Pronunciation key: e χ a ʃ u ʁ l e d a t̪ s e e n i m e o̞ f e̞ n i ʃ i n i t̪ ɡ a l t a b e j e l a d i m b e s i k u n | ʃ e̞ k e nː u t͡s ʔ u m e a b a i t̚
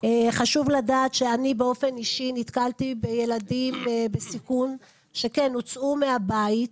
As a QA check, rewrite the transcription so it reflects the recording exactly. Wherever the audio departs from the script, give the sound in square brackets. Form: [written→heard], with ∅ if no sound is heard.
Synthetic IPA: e χ a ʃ u [ʁ→v] l [e→a] d a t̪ [s→ʃ] e [e→a] n i [m→b] e o̞ f e̞ n i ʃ i n i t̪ [ɡ→k] a l t [a→i] b e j e l a d i m b e s i k u n | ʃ e̞ k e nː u t͡s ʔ u m e a b a i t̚